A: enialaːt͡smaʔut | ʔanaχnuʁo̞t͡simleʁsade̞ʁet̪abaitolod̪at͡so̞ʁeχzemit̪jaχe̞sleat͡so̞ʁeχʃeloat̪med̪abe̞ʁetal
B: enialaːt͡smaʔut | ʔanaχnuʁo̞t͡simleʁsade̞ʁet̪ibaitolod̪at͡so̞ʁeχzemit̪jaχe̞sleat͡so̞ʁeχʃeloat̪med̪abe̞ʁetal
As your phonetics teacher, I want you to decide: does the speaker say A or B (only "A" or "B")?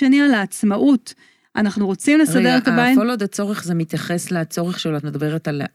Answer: A